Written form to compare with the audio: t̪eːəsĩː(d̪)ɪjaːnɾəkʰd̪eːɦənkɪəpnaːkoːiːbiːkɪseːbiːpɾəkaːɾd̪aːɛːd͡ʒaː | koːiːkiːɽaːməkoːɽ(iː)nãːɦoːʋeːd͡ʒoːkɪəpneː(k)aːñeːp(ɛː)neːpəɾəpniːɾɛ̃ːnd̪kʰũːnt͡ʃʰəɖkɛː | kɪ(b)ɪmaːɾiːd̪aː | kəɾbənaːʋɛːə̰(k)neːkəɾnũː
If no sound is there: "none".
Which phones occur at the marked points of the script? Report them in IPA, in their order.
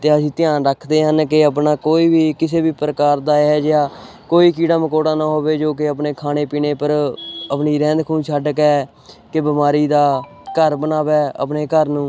t̪, aː, kʰ, iː, b, p

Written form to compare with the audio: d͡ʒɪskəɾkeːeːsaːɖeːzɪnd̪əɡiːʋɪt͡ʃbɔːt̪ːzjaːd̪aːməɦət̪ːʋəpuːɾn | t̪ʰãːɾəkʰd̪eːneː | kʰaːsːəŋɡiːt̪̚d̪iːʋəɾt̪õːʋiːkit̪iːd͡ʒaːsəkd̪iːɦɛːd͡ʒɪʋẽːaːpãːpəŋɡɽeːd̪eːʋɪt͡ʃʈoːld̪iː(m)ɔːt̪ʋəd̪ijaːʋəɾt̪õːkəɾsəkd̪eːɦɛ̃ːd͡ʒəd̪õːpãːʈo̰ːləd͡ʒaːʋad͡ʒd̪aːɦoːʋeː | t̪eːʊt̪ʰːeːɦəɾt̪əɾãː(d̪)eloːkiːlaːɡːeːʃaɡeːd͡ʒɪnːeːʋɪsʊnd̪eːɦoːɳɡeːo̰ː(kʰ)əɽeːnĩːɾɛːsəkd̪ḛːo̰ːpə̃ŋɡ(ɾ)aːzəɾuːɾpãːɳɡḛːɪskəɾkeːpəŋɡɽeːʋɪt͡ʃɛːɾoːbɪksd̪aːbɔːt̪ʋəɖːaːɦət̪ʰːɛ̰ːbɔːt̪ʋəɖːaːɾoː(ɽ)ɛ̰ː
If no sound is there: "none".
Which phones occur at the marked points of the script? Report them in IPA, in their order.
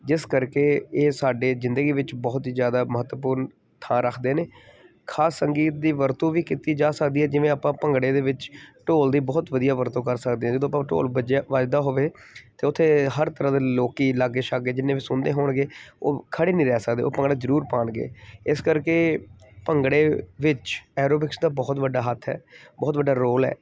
b, d̪, kʰ, ɽ, l

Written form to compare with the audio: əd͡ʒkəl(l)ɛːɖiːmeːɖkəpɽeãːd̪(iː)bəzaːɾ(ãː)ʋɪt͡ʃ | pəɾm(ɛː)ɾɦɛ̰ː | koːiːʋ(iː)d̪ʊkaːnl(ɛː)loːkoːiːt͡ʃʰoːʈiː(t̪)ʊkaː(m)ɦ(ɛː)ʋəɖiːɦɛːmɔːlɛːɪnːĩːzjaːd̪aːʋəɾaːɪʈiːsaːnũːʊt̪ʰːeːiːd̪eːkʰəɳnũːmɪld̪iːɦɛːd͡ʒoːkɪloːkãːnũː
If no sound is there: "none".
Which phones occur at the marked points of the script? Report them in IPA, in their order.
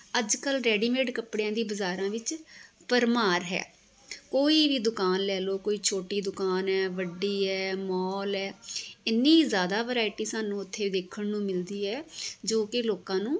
ɾ, iː, ãː, aː, iː, ɛː, d̪, n, ɛː

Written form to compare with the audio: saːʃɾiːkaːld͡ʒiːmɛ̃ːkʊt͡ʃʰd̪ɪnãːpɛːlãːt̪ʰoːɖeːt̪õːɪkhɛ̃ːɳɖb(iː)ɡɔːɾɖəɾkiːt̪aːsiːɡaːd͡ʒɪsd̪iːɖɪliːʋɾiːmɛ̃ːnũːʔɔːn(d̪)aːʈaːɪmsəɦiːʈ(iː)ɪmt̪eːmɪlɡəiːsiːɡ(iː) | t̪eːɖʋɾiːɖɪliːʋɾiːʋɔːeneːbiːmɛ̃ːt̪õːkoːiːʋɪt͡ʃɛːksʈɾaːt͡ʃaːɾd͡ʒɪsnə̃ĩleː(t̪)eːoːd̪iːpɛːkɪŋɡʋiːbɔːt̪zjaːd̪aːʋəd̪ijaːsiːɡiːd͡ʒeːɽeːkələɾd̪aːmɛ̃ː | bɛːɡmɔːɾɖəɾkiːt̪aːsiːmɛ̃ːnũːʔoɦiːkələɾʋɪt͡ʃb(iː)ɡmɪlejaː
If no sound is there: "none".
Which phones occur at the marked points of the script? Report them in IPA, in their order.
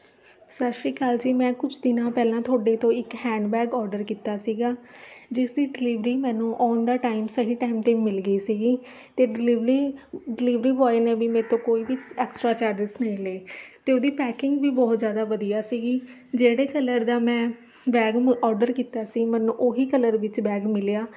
ɛː, d̪, aː, iː, t̪, ɛː

